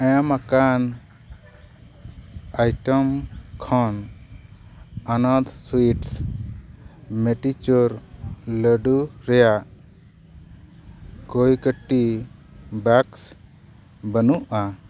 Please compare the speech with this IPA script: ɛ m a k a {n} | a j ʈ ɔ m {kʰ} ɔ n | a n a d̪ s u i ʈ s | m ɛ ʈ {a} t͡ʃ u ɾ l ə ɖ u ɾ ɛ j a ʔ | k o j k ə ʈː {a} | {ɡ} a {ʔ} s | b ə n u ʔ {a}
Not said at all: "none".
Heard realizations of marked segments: n, kʰ, i, i, b, k, a

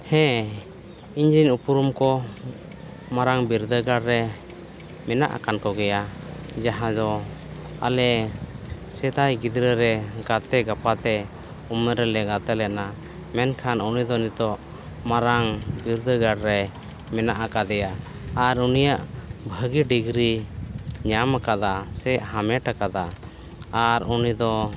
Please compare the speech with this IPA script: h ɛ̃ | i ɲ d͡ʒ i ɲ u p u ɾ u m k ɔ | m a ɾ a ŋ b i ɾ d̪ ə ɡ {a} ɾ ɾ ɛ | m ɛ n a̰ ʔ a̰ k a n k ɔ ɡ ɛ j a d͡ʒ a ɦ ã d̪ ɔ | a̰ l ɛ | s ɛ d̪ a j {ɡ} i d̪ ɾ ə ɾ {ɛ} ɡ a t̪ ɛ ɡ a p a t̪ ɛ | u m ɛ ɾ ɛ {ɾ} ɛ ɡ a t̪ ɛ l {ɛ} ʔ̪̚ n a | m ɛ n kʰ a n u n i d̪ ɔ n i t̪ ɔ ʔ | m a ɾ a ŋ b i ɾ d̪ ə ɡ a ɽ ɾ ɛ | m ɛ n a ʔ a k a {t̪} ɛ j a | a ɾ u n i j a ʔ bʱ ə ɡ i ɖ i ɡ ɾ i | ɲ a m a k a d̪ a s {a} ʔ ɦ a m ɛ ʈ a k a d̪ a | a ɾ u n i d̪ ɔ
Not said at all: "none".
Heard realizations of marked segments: a, ɡ, ɛ, l, ɛ, d̪, ɛ

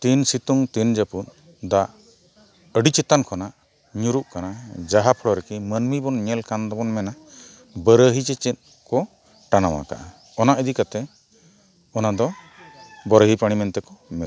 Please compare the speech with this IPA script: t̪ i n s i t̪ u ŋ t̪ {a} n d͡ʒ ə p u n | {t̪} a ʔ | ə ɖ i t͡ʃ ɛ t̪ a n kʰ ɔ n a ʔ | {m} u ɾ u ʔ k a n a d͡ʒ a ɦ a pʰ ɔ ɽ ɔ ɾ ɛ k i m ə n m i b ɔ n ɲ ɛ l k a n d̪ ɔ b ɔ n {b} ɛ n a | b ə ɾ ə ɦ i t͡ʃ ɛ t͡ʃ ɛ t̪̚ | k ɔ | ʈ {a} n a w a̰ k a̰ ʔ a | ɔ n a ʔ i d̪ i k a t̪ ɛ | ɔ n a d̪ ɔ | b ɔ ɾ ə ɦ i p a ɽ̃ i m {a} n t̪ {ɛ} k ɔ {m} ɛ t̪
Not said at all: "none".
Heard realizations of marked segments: i, d̪, ɲ, m, a, ɛ, ɛ, m

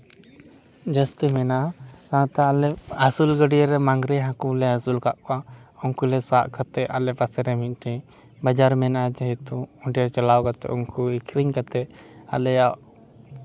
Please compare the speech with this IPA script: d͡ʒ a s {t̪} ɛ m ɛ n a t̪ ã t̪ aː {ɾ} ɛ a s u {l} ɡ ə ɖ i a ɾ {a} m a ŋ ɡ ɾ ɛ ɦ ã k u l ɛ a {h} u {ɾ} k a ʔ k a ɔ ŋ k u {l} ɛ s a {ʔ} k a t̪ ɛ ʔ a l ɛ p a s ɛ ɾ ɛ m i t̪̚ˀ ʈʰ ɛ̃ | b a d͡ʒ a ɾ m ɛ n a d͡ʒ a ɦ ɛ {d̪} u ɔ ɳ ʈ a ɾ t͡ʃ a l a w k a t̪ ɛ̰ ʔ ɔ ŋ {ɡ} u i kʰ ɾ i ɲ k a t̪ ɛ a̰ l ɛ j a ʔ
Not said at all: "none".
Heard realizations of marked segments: t̪, l, l, ɛ, s, l, l, ʔ, t̪, k

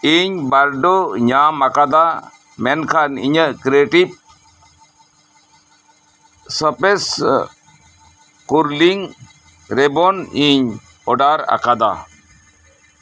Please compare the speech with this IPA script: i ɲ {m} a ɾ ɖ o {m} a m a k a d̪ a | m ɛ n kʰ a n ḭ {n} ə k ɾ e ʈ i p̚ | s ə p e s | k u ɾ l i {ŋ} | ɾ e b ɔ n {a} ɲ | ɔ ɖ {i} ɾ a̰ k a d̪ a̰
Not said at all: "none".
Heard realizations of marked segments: b, ɲ, ɲ, ŋ, i, a

